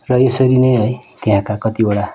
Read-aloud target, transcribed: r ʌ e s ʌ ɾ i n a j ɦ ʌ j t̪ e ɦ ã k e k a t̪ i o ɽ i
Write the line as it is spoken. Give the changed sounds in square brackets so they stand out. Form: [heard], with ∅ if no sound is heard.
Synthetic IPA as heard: r ʌ e s ʌ ɾ i n [ʌ] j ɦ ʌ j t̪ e ɦ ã k [a] k [ʌ] t̪ i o ɽ [a]

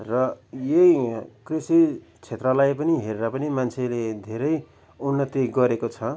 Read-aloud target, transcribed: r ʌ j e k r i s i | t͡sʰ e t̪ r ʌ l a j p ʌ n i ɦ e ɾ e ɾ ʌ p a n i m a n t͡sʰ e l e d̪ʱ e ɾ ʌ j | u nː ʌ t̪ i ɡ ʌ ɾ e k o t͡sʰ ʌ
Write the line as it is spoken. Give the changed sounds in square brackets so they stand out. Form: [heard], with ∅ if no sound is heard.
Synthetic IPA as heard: r ʌ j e k r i s i | t͡sʰ e t̪ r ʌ l a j p ʌ n i ɦ e ɾ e ɾ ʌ p [ʌ] n i m a n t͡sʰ e l e d̪ʱ e ɾ ʌ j | u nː ʌ t̪ i ɡ ʌ ɾ e k o t͡sʰ ʌ

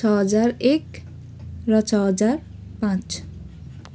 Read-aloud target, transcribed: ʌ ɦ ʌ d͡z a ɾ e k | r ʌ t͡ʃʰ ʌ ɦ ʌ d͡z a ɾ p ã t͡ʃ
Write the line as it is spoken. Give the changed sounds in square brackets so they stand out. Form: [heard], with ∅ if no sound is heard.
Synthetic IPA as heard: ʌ ɦ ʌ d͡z a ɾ e k | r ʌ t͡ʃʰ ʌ ɦ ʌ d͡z a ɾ p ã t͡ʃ

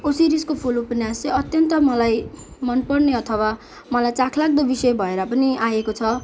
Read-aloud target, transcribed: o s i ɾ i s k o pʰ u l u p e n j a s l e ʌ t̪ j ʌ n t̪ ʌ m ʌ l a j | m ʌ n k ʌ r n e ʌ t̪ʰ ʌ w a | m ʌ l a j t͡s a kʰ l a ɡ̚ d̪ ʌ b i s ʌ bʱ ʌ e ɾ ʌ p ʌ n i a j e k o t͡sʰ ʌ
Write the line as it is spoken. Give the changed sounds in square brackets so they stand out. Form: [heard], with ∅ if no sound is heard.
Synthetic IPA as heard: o s i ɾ i s k o pʰ u l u p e n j a s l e ʌ t̪ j ʌ n t̪ ʌ m ʌ l a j | m ʌ n [p] ʌ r n e ʌ t̪ʰ ʌ w a | m ʌ l a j t͡s a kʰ l a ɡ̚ d̪ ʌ b i s ʌ bʱ ʌ e ɾ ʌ p ʌ n i a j e k o t͡sʰ ʌ

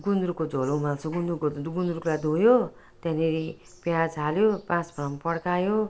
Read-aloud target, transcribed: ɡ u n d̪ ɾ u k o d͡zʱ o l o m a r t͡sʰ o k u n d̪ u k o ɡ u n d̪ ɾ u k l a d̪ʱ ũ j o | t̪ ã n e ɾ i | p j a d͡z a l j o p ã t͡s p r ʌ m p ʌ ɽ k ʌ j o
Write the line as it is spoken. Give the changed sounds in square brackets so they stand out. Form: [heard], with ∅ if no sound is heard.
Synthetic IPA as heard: ɡ u n d̪ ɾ u k o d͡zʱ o l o m a [l] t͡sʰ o [ɡ] u n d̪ u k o ɡ u n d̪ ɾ u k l a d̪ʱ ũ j o | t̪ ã n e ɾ i | p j a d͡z a l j o p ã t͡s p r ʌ m p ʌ ɽ k [a] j o

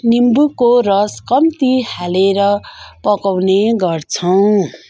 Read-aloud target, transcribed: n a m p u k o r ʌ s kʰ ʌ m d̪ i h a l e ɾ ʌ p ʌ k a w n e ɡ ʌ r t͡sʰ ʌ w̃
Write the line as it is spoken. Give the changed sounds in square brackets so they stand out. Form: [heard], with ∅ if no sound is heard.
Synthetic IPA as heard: n [i] m [b] u k o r ʌ s [k] ʌ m [t̪] i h a l e ɾ ʌ p ʌ k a w n e ɡ ʌ r t͡sʰ ʌ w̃

